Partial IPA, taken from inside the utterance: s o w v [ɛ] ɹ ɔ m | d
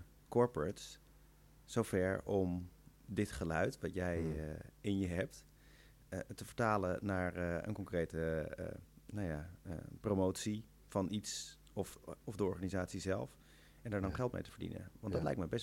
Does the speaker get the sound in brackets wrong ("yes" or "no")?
no